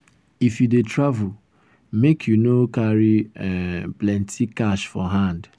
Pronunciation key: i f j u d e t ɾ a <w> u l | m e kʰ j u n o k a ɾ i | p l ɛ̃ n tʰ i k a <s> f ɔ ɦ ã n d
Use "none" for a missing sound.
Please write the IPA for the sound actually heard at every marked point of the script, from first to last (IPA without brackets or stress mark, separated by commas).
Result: v, ʃ